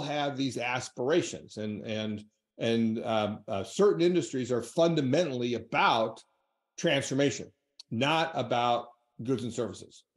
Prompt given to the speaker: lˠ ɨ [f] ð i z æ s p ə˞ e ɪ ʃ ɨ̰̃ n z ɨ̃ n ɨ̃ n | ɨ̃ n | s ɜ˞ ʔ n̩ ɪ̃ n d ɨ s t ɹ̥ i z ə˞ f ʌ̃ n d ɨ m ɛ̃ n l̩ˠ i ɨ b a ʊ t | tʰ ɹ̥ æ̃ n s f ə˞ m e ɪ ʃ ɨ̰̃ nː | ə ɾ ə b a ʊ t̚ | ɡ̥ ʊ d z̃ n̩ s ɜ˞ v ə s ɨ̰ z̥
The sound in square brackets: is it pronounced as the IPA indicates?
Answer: no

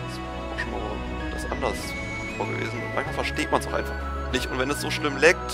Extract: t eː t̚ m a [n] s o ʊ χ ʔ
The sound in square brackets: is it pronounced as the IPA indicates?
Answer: yes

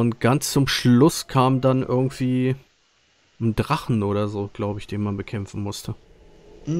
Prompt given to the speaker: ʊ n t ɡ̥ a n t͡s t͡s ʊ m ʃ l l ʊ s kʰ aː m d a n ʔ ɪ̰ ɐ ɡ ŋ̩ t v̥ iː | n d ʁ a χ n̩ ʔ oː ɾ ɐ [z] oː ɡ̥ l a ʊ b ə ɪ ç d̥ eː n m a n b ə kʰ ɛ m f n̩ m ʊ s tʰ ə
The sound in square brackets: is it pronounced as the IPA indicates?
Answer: yes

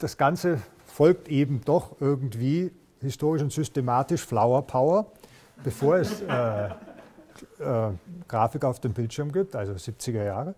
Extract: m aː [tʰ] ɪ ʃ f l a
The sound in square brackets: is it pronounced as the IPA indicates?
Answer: no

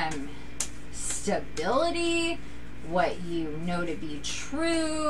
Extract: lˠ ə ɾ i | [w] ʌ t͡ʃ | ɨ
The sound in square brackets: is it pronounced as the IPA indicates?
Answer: yes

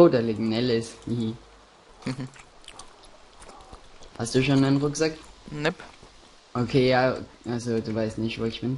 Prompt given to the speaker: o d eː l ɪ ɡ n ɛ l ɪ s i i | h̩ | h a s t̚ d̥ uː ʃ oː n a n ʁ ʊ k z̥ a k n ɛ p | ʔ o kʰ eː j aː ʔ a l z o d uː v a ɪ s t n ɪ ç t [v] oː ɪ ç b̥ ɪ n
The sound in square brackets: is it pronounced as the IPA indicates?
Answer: yes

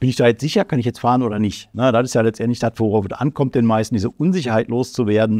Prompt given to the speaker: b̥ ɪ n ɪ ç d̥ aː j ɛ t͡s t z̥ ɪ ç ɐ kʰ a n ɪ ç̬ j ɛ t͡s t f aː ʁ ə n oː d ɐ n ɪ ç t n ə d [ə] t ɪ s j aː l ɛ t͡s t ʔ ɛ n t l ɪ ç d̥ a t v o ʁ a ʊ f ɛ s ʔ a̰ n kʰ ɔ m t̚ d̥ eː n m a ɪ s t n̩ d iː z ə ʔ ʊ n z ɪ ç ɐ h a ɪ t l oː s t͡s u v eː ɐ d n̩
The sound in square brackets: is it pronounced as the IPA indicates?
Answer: no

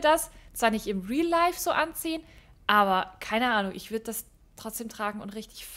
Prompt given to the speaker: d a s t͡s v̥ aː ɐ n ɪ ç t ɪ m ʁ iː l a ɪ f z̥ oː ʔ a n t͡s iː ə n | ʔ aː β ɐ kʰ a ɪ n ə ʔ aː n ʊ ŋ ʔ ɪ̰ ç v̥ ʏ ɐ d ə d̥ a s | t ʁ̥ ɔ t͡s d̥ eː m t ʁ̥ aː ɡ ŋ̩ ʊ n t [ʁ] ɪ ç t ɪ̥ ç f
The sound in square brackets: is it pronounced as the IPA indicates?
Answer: yes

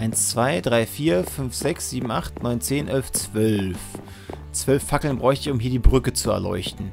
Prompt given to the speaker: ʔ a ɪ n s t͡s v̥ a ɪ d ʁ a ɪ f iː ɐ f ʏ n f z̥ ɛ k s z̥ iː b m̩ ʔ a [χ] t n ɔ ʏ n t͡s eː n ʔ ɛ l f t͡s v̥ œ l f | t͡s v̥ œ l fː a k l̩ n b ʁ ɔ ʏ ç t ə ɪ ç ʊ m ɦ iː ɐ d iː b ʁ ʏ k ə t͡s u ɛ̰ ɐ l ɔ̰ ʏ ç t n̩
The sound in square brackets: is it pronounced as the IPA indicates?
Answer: yes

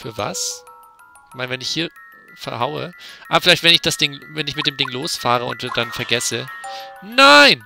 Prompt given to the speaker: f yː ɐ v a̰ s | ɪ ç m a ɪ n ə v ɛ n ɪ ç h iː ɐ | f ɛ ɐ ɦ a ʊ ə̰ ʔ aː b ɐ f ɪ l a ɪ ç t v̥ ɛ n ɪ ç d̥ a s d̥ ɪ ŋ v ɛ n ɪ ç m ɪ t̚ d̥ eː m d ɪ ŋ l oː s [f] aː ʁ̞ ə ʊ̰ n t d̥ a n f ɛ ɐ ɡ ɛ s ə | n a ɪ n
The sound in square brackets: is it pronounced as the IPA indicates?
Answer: yes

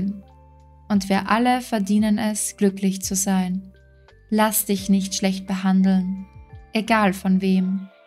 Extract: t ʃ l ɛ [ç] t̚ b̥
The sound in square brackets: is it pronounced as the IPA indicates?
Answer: yes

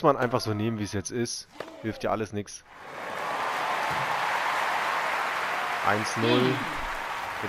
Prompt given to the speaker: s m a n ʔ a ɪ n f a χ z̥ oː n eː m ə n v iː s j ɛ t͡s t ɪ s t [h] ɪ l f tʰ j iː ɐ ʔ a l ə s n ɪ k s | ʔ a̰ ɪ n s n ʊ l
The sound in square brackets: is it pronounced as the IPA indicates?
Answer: yes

